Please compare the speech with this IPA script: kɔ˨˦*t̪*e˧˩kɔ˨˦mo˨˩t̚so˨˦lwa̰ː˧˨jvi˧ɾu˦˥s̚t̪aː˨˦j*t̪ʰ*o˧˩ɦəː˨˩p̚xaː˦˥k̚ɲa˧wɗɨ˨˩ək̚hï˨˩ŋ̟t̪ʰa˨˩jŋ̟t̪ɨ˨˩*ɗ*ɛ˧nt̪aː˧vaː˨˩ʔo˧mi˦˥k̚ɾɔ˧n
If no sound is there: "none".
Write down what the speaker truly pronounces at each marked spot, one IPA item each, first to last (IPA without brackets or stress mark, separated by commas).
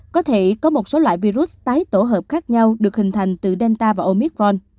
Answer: t̪ʰ, t̪, ɗ